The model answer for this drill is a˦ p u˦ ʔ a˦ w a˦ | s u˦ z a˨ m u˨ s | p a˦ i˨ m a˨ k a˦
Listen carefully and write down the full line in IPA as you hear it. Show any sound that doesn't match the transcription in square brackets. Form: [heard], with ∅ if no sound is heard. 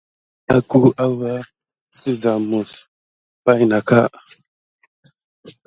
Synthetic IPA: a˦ [k] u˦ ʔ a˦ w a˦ | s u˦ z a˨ m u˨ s | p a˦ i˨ [n] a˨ k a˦